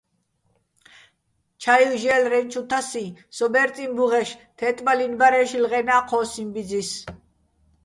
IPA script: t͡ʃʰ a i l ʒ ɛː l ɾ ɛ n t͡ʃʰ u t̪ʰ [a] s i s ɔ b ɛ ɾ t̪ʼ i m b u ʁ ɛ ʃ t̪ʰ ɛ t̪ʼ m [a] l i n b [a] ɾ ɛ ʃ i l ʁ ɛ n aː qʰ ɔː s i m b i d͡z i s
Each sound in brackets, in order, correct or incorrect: correct, correct, correct

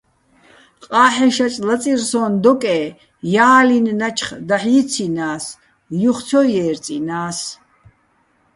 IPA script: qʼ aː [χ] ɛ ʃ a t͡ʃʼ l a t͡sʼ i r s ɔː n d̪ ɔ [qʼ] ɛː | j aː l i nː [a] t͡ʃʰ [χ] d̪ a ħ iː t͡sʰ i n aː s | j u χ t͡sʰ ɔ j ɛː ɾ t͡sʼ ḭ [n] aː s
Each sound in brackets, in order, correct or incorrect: incorrect: ħ, incorrect: kʼ, correct, correct, correct

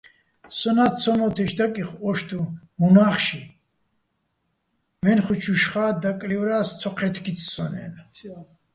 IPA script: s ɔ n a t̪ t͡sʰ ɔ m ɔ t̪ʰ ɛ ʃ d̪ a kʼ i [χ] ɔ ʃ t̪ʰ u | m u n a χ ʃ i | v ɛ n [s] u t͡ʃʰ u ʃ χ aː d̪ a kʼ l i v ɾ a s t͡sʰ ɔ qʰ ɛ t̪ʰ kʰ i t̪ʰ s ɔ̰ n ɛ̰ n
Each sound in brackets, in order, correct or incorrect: correct, incorrect: χ

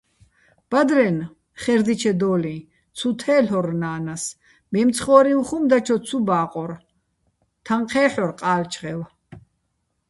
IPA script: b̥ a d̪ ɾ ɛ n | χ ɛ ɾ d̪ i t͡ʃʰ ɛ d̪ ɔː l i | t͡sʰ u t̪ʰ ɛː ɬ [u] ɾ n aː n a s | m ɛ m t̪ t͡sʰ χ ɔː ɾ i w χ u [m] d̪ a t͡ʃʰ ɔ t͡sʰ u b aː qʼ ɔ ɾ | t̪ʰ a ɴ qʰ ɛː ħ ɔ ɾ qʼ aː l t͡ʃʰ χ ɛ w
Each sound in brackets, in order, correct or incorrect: incorrect: ɔ, correct

